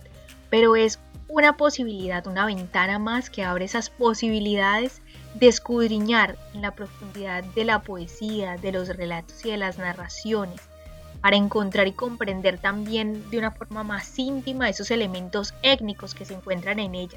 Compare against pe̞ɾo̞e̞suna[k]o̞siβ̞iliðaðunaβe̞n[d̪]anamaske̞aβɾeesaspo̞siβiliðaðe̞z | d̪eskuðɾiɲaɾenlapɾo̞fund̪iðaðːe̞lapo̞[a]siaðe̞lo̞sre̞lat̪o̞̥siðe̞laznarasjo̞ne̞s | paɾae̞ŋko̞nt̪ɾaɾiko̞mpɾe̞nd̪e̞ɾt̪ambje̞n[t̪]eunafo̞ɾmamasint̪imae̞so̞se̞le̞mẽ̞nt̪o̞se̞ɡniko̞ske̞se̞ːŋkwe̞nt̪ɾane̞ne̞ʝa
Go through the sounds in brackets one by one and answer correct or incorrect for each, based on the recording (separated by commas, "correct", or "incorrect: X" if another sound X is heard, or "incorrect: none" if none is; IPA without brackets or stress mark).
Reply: incorrect: p, incorrect: t̪, incorrect: e, incorrect: d̪